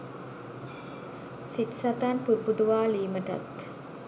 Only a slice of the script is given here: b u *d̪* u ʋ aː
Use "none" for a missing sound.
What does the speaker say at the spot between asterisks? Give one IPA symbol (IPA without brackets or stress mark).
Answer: d̪